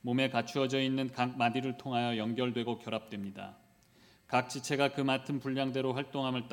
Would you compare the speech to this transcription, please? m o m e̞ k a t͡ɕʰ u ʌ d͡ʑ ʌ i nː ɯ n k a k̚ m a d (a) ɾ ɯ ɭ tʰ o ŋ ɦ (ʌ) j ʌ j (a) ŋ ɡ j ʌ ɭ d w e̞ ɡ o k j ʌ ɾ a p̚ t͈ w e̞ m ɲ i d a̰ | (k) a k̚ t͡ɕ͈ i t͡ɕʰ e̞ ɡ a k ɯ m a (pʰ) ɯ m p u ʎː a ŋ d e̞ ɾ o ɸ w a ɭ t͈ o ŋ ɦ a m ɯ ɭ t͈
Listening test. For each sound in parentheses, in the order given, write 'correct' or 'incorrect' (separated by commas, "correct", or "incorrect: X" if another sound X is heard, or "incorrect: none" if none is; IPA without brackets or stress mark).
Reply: incorrect: i, incorrect: a, incorrect: ʌ, correct, incorrect: tʰ